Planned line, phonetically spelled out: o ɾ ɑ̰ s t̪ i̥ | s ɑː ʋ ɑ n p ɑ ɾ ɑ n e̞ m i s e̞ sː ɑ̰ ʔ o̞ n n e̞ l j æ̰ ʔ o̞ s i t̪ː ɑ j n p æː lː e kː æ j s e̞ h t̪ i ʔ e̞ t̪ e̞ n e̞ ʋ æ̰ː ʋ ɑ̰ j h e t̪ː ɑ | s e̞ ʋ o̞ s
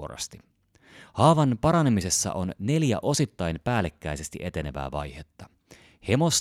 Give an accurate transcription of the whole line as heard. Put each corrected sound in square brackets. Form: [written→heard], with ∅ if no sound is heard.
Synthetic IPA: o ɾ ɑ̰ s t̪ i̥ | [s→h] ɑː ʋ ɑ n p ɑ ɾ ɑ n e̞ m i s e̞ sː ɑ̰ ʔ o̞ n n e̞ l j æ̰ ʔ o̞ s i t̪ː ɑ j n p æː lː e kː æ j s e̞ [h→s] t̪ i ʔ e̞ t̪ e̞ n e̞ ʋ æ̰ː ʋ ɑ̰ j h e t̪ː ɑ | [s→h] e̞ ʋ o̞ s